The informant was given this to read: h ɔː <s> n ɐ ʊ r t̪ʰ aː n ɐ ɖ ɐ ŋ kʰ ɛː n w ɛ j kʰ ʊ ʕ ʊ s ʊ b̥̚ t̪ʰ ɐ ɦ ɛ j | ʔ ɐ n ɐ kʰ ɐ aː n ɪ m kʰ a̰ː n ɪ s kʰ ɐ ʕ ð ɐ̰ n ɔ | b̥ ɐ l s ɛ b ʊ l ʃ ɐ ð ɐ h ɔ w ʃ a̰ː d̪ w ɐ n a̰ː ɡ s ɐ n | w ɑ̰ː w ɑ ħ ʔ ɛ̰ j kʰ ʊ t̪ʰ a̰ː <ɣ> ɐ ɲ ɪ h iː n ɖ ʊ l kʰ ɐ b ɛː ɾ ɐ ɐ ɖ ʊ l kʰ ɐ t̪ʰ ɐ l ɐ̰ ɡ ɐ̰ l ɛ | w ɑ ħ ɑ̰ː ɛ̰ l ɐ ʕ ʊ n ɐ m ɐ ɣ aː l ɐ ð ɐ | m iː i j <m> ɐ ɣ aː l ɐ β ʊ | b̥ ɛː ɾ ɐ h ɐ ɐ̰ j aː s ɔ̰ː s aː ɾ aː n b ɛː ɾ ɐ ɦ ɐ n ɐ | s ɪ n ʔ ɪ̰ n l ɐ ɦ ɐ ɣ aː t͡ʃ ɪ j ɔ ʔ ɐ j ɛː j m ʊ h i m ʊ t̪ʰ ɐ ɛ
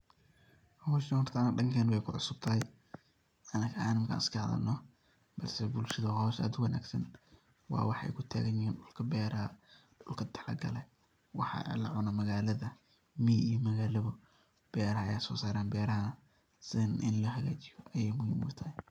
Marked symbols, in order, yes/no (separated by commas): no, yes, yes